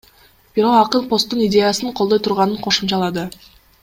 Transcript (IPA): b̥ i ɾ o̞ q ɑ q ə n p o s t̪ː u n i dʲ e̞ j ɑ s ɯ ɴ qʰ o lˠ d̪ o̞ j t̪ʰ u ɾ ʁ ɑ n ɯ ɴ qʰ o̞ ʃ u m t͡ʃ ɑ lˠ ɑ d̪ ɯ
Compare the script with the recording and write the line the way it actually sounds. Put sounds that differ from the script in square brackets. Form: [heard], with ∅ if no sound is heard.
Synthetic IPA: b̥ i ɾ o̞ q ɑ q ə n p o s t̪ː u n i dʲ e̞ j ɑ s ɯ ɴ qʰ o lˠ d̪ o̞ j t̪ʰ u ɾ ʁ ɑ n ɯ ɴ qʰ o̞ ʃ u m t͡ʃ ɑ lˠ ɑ d̪ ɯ